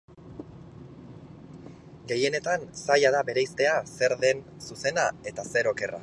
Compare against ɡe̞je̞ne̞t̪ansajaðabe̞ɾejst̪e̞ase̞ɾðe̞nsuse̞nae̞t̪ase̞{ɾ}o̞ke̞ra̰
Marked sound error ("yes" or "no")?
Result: no